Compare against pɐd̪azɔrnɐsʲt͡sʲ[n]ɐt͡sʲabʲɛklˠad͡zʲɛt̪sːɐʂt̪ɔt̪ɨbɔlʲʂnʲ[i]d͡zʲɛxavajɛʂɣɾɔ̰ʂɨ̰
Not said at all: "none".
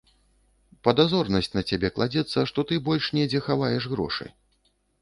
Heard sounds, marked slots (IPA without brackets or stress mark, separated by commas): n, ɛ